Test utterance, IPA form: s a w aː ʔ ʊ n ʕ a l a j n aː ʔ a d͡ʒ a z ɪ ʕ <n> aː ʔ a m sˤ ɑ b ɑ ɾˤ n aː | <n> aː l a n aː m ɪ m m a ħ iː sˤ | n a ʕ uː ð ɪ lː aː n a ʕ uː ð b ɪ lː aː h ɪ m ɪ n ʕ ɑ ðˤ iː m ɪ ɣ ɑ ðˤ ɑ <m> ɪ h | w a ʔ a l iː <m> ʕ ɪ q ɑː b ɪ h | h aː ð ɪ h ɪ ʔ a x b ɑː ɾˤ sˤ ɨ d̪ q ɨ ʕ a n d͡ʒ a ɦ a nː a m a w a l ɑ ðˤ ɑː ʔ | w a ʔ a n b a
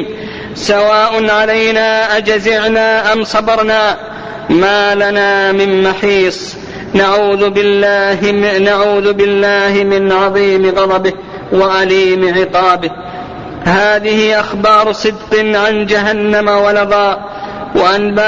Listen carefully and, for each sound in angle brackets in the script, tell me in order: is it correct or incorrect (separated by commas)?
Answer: correct, incorrect, incorrect, correct